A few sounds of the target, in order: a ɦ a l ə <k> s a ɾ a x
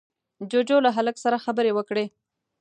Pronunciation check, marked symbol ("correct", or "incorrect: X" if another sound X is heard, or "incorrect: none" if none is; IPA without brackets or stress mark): correct